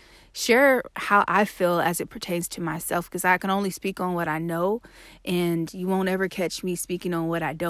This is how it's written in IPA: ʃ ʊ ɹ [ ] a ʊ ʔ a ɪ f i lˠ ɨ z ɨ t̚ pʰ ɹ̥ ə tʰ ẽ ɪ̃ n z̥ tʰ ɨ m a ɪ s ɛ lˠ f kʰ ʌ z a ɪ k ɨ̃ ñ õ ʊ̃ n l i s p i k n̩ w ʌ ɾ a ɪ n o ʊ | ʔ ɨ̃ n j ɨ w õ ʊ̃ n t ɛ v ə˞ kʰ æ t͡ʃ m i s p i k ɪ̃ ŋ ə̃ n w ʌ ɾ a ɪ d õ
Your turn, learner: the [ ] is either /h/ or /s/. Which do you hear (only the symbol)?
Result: h